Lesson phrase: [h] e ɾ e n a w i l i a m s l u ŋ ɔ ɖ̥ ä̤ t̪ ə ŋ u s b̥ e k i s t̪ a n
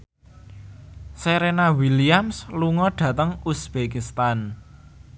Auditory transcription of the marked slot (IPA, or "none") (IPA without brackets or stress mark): s